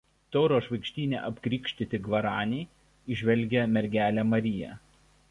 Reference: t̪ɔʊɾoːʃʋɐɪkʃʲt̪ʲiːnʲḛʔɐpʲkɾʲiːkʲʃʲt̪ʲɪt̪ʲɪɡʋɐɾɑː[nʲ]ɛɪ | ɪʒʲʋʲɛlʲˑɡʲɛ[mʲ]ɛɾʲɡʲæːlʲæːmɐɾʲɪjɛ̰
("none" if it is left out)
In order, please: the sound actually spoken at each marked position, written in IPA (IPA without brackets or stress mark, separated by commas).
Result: nʲ, mʲ